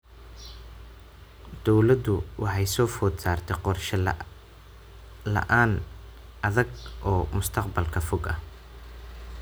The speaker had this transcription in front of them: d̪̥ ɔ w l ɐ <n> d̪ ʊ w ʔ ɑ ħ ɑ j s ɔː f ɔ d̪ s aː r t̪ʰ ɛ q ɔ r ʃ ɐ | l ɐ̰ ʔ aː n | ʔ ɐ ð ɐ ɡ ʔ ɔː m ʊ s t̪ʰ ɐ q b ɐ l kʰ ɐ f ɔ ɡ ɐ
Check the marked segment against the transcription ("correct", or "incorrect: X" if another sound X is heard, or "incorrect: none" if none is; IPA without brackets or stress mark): incorrect: none